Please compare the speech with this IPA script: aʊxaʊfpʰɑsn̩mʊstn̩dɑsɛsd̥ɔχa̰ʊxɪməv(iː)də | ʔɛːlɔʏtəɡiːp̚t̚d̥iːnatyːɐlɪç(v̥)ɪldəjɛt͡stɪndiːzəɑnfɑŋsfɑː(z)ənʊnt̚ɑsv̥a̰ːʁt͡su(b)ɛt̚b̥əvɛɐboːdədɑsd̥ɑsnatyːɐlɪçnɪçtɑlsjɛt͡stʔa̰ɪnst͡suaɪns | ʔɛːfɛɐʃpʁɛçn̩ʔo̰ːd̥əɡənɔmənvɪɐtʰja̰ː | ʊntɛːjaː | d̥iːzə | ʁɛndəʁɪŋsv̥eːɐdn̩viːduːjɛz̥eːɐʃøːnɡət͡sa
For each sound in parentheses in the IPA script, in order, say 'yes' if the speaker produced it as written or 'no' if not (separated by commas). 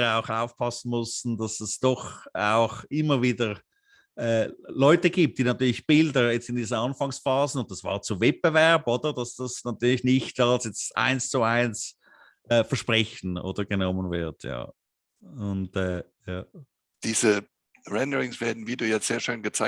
yes, no, yes, no